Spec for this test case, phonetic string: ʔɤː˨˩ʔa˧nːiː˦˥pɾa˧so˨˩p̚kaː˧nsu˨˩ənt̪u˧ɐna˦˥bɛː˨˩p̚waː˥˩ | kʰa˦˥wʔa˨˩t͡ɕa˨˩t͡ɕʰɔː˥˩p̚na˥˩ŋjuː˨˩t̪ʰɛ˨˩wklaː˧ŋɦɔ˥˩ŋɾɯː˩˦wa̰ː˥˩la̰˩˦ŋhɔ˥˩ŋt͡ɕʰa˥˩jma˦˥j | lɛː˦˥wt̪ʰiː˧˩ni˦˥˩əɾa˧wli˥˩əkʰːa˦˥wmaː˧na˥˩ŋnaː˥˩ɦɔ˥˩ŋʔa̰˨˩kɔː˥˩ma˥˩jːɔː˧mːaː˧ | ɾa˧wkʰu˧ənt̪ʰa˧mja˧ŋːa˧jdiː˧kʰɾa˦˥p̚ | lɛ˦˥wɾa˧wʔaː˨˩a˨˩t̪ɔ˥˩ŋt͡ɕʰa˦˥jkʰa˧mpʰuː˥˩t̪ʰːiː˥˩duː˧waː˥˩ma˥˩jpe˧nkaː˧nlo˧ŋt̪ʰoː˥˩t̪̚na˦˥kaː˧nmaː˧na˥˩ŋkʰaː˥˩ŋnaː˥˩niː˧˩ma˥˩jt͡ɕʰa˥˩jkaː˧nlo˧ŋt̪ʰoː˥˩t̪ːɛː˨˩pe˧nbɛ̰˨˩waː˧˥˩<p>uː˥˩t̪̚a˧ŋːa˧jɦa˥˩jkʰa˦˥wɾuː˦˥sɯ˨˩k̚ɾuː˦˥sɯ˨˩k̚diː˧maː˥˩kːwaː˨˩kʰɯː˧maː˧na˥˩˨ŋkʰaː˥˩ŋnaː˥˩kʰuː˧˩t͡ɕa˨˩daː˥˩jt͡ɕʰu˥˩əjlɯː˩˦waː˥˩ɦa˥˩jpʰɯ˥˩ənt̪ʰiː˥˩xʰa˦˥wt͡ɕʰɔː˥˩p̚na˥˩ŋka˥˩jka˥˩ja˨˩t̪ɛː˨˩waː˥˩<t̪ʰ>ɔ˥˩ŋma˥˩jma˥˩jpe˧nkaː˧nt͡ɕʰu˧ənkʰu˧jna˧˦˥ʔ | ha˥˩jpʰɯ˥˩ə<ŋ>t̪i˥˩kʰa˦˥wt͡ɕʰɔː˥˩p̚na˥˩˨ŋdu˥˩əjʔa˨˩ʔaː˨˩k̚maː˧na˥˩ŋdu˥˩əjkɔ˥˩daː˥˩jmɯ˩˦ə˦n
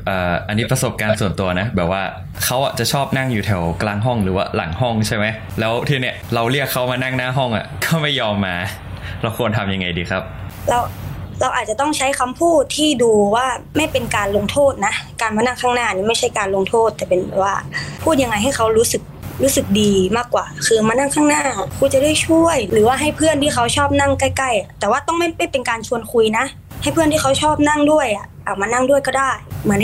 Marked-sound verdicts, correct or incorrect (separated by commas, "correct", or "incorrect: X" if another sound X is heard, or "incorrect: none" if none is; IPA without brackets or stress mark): incorrect: pʰ, incorrect: t̪, incorrect: n